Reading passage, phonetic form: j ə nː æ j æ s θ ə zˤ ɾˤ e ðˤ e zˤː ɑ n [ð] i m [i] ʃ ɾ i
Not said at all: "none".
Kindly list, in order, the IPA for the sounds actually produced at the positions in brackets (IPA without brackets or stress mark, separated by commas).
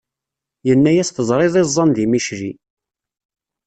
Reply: ð, i